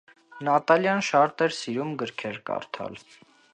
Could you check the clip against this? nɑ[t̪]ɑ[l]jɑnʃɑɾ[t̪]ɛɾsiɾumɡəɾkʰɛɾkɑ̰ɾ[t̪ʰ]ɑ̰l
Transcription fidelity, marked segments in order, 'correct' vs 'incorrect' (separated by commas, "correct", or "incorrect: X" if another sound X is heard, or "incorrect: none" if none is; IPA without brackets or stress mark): correct, correct, correct, correct